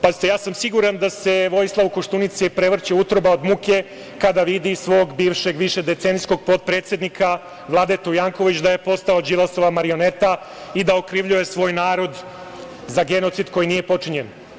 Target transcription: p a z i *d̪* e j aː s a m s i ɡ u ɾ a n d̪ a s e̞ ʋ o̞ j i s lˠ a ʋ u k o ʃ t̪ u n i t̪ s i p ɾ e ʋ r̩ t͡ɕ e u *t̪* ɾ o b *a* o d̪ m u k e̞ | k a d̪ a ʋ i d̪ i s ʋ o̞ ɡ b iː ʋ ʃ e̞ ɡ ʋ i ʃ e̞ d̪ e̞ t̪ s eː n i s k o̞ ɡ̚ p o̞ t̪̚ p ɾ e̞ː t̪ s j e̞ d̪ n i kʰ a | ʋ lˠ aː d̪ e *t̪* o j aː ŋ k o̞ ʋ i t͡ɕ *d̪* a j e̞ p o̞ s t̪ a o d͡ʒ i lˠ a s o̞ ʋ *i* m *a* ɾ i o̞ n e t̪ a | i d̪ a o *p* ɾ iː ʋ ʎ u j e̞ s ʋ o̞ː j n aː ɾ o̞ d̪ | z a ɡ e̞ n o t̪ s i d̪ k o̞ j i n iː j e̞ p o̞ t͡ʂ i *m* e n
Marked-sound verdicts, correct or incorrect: incorrect: t̪, correct, correct, correct, correct, incorrect: a, correct, incorrect: k, incorrect: ɲ

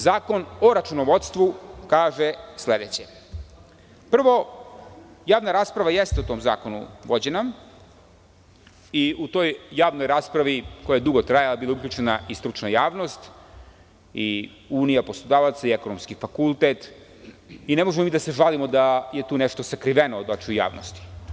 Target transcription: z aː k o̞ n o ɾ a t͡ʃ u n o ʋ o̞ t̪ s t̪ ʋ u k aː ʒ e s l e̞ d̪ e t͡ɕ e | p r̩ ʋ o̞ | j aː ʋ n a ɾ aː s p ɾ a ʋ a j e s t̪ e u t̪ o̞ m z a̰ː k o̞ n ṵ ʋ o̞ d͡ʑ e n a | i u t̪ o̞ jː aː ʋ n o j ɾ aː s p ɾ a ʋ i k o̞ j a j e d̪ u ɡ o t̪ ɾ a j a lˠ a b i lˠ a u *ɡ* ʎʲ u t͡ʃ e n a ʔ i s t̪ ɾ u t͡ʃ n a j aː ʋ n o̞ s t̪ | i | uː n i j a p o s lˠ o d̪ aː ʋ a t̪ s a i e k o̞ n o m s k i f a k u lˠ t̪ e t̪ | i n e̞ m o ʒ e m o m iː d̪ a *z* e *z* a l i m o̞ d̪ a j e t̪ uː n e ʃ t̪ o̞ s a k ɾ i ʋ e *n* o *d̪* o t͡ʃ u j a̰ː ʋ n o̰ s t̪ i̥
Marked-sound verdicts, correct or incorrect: incorrect: k, incorrect: s, incorrect: ʒ, correct, correct

